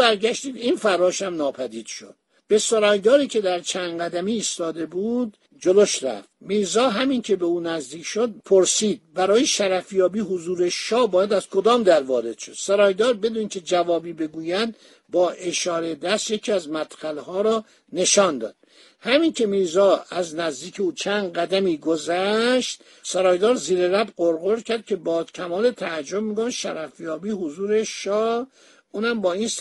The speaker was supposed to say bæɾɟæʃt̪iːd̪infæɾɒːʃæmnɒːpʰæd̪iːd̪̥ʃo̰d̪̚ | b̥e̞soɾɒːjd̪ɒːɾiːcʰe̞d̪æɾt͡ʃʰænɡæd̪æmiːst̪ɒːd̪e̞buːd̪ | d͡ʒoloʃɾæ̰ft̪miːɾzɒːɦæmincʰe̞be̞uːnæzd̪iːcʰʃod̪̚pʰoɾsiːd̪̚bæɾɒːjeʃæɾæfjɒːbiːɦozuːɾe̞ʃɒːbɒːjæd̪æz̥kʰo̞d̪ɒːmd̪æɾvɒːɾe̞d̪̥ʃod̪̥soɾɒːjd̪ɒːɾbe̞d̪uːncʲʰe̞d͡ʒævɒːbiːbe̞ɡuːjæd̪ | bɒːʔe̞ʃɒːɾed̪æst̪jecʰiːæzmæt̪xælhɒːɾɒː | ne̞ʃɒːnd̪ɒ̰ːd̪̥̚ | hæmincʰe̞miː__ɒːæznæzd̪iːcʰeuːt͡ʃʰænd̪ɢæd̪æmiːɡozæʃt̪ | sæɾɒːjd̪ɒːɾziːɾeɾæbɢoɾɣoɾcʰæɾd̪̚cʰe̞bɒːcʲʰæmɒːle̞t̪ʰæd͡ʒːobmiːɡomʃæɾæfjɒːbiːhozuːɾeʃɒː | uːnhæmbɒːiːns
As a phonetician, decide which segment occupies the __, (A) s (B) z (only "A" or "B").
B